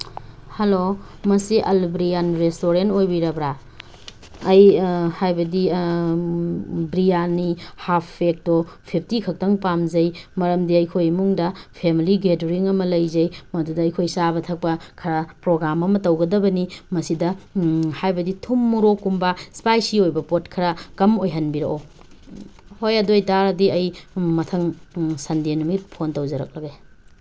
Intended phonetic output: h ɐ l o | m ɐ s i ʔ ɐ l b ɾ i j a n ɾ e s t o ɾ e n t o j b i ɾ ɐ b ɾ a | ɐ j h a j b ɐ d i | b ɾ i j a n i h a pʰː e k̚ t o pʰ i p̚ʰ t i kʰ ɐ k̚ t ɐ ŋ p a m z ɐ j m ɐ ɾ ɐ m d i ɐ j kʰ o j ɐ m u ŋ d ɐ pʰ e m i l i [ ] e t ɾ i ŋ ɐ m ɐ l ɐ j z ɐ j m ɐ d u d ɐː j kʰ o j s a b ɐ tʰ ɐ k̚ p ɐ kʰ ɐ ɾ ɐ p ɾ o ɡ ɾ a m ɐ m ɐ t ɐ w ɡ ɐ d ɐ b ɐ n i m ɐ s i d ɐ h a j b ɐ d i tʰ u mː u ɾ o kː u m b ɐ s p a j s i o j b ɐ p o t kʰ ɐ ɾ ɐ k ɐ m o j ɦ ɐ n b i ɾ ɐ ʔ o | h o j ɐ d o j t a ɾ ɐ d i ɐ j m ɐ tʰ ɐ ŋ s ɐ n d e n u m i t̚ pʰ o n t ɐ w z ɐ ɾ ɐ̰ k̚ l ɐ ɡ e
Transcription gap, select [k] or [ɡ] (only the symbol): ɡ